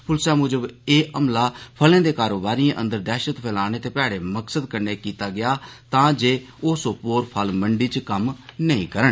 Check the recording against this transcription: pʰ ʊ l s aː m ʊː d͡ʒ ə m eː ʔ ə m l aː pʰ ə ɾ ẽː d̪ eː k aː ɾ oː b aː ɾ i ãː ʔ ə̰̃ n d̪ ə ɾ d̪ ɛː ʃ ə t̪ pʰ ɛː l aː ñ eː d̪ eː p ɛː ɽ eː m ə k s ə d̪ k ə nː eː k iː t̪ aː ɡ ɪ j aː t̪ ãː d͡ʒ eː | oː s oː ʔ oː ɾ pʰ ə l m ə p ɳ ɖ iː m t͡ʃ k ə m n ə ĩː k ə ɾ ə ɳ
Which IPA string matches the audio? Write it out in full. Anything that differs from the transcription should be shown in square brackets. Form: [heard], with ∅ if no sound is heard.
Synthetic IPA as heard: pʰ ʊ l s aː m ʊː d͡ʒ ə [b] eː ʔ ə m l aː pʰ ə [l] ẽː d̪ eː k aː ɾ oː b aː ɾ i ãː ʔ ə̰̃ n d̪ ə ɾ d̪ ɛː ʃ ə t̪ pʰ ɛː l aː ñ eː [t̪] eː p ɛː ɽ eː m ə k s ə d̪ k ə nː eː k iː t̪ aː ɡ ɪ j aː t̪ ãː d͡ʒ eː | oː s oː [p] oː ɾ pʰ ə l m ə [∅] ɳ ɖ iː [∅] t͡ʃ k ə m n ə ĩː k ə ɾ ə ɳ

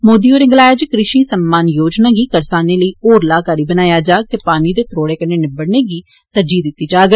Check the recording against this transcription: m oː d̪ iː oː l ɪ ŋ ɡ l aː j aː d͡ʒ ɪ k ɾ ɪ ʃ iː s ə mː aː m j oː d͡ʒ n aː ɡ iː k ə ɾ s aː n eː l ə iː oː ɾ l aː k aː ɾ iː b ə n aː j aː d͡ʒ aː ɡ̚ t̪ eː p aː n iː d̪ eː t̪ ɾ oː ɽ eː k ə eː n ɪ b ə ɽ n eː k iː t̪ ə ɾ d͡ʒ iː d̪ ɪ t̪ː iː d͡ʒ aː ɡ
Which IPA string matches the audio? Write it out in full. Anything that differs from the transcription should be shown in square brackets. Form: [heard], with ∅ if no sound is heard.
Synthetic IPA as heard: m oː d̪ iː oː [ɾ] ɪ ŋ ɡ l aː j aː d͡ʒ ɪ k ɾ ɪ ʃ iː s ə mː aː [n] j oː d͡ʒ n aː ɡ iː k ə ɾ s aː n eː l ə iː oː ɾ l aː k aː ɾ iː b ə n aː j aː d͡ʒ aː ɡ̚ t̪ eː p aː n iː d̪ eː t̪ ɾ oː ɽ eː k ə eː n ɪ b ə ɽ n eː [ɡ] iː t̪ ə ɾ d͡ʒ iː d̪ ɪ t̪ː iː d͡ʒ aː ɡ

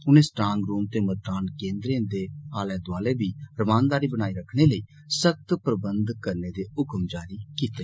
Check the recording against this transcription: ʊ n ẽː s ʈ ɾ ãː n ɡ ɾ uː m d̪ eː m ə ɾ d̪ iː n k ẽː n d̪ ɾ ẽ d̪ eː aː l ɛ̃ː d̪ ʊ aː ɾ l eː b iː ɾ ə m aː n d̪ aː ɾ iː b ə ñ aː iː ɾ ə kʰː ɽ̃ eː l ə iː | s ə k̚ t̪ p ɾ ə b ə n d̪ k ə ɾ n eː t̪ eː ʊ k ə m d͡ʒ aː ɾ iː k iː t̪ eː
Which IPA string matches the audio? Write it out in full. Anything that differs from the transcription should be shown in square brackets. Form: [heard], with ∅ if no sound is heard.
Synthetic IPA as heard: ʊ n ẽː s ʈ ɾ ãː [ŋ] ɡ ɾ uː m [t̪] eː m ə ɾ d̪ [aː] n k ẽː n d̪ ɾ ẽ d̪ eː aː l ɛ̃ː d̪ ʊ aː [∅] l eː b iː ɾ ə m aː n d̪ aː ɾ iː b ə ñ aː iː ɾ ə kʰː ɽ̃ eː l ə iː | s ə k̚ t̪ p ɾ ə b ə n d̪ k ə ɾ n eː [d̪] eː ʊ k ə m d͡ʒ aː ɾ iː k iː t̪ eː

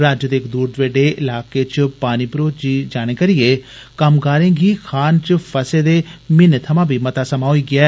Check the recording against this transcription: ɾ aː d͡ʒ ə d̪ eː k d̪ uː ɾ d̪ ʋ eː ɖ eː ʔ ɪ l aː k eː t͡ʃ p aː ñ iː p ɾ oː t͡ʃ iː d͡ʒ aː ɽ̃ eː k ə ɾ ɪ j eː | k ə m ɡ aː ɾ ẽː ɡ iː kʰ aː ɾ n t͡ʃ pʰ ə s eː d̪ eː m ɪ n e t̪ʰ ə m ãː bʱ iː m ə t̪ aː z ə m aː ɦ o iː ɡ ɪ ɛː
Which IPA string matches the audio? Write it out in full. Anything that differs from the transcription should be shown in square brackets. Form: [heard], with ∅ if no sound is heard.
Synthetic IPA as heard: ɾ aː d͡ʒ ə d̪ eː k d̪ uː ɾ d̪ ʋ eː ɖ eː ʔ ɪ l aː k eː t͡ʃ p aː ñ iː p ɾ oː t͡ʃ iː d͡ʒ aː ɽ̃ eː k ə ɾ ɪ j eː | k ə m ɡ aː ɾ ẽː ɡ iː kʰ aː [∅] n t͡ʃ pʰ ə s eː d̪ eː m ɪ n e t̪ʰ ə m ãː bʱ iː m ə t̪ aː [s] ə m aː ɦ o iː ɡ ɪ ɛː

